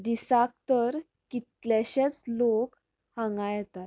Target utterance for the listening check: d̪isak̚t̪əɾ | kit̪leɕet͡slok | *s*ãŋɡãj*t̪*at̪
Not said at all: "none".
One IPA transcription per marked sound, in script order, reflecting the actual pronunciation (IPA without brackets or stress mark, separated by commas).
h, t̪